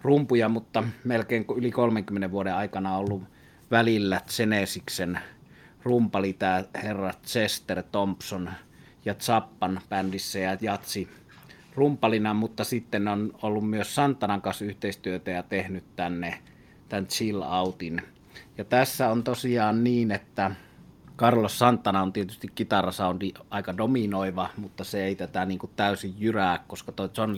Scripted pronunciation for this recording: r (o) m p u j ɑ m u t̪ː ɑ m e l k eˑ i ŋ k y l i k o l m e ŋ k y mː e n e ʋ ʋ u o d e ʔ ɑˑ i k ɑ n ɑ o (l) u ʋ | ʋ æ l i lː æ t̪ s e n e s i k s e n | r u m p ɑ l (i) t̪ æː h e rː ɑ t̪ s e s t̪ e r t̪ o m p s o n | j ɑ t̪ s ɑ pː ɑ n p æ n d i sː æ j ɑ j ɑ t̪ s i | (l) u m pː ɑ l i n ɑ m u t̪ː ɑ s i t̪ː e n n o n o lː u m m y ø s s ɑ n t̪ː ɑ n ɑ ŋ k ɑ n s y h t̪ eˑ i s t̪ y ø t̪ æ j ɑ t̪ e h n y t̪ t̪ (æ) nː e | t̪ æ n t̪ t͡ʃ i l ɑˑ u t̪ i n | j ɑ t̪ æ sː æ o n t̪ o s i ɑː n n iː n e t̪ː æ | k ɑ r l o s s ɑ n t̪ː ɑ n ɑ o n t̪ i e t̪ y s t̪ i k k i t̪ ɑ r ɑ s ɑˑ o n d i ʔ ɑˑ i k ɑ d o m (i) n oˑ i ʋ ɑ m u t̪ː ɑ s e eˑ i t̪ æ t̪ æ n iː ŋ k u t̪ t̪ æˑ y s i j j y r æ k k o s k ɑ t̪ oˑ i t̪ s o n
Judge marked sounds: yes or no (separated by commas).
no, no, yes, no, yes, yes